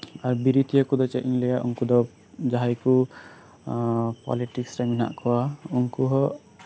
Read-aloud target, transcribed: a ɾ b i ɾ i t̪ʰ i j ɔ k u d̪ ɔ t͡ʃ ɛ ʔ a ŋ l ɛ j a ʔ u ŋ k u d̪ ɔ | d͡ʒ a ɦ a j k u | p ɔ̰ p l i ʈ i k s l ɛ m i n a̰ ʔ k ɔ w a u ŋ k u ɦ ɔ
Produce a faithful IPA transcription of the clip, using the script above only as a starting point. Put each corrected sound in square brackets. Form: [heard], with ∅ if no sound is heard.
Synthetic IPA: a ɾ b i ɾ i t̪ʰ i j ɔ k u d̪ ɔ t͡ʃ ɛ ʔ [i] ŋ l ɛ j a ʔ u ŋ k u d̪ ɔ | d͡ʒ a ɦ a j k u | p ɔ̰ [∅] l i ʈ i k s [ɾ] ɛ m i n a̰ ʔ k ɔ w a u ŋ k u ɦ ɔ